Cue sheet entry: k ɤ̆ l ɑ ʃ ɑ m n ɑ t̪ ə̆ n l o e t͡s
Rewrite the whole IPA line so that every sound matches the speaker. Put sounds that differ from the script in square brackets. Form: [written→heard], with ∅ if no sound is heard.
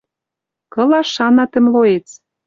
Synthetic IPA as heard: k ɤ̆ l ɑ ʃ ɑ [m→∅] n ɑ t̪ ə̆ [n→m] l o e t͡s

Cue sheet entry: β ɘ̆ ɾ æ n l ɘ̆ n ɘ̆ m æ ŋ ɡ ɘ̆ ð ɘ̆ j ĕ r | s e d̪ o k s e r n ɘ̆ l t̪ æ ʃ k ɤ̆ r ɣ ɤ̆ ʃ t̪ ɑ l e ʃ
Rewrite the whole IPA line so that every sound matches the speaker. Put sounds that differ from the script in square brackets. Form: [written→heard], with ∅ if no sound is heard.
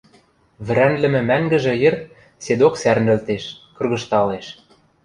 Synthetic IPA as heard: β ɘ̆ ɾ æ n l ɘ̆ [n→m] ɘ̆ m æ ŋ ɡ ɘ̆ [ð→ʒ] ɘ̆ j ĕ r | s e d̪ o k s [e→æ] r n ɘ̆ l t̪ [æ→e] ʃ k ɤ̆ r ɣ ɤ̆ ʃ t̪ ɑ l e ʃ

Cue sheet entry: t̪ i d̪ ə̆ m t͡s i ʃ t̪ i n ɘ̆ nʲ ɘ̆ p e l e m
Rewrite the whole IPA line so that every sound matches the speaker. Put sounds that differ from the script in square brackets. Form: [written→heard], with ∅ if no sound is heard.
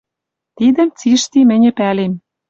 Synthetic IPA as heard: t̪ i d̪ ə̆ m t͡s i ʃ t̪ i [n→m] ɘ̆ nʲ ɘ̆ p [e→æ] l e m

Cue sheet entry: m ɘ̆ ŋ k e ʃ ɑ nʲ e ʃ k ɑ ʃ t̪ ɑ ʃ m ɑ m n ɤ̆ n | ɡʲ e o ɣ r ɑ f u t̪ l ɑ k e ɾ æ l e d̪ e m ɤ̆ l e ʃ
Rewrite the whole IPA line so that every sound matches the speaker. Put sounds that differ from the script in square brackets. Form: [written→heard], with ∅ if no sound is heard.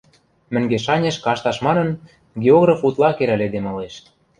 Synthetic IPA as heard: m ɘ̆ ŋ [k→ɡ] e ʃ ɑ nʲ e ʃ k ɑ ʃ t̪ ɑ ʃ m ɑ [m→∅] n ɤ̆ n | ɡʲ e o ɣ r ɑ f u t̪ l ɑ k e ɾ æ l e d̪ e m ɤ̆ l e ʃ

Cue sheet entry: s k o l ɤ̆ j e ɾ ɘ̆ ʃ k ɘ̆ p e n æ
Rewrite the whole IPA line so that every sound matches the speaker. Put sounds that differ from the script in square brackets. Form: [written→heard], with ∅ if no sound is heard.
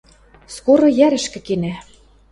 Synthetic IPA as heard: s k o [l→ɾ] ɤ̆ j [e→æ] ɾ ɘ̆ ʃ k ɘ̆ [p→k] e n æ

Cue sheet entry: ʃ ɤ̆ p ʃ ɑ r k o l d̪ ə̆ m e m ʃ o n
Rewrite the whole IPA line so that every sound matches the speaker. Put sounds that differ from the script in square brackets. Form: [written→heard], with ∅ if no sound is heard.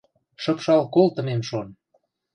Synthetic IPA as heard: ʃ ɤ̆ p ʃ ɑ [r→l] k o l [d̪→t̪] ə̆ m e m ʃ o n

